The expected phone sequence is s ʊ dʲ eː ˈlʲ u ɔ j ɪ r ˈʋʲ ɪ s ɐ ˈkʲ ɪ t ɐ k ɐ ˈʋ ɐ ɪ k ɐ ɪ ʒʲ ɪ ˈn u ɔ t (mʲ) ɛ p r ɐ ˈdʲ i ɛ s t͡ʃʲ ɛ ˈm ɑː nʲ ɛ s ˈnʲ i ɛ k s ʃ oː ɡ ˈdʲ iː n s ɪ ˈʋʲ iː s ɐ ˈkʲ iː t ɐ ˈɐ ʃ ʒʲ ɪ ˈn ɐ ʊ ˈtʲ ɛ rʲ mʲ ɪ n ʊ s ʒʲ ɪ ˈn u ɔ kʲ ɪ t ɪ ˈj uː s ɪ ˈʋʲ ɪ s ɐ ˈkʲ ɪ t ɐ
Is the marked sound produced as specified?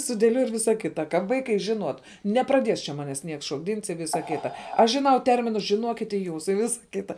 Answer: no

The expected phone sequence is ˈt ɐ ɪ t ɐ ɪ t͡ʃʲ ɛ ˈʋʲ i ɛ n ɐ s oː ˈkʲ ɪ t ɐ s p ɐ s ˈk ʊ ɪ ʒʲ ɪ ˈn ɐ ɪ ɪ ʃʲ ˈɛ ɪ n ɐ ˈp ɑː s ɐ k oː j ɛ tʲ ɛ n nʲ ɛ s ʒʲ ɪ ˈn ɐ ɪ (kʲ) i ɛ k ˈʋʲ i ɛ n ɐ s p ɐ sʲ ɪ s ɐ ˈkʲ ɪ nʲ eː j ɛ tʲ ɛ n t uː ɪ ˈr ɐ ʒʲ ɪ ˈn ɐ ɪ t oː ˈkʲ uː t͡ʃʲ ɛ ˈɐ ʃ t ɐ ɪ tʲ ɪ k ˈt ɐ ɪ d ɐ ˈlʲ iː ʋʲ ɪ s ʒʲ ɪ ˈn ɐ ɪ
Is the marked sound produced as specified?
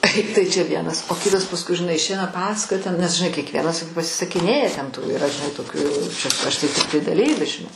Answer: yes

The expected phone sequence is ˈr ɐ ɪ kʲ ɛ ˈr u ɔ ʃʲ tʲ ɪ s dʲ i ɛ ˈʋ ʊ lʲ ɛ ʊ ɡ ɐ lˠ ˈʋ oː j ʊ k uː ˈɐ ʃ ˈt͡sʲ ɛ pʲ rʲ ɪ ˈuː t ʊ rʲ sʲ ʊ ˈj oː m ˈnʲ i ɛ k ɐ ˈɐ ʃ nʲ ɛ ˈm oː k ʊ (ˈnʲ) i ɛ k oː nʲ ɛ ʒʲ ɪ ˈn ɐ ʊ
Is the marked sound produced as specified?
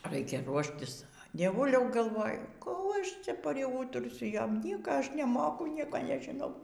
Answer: yes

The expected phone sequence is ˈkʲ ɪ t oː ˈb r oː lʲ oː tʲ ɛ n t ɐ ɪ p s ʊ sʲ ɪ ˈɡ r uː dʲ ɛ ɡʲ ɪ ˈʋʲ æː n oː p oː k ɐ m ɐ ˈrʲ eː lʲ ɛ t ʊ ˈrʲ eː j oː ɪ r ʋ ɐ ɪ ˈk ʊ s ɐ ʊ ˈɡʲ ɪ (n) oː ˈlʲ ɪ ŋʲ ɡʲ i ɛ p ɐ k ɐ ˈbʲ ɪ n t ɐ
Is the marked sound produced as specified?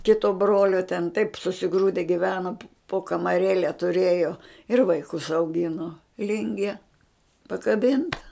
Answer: yes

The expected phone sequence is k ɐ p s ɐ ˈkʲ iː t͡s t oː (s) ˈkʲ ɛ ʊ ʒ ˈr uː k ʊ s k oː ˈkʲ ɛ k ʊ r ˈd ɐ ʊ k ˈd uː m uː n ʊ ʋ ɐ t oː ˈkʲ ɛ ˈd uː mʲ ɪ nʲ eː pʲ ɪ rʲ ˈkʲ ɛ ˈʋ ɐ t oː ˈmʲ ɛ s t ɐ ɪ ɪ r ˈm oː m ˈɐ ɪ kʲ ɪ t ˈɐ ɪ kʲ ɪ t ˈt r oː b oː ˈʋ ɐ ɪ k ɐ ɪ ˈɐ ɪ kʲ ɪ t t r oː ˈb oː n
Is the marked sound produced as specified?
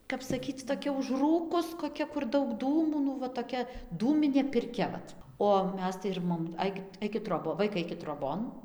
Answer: no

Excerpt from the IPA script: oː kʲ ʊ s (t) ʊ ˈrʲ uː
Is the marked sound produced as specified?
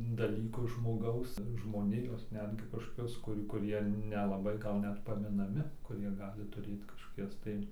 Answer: no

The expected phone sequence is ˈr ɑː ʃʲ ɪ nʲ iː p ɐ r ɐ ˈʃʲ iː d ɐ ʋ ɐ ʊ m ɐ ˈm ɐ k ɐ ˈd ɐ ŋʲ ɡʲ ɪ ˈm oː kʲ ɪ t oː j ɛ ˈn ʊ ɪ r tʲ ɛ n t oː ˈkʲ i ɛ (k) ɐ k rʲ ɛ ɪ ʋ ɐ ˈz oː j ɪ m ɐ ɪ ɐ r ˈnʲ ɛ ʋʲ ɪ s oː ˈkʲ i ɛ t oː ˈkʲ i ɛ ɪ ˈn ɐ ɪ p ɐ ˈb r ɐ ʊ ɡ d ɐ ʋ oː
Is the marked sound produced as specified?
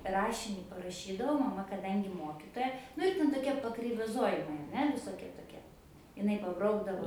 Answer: no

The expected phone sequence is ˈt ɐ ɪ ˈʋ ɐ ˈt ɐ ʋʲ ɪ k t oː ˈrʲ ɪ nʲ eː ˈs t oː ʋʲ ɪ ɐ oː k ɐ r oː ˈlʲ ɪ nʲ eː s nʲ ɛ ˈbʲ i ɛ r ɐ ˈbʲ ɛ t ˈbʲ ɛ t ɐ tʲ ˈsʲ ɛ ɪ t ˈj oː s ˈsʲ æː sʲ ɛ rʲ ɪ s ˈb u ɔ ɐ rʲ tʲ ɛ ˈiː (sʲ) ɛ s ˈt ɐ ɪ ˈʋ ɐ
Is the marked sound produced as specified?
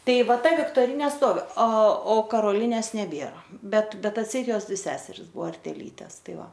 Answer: no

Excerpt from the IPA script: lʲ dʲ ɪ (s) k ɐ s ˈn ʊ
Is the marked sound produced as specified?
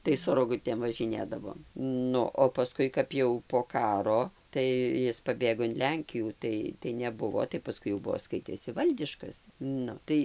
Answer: no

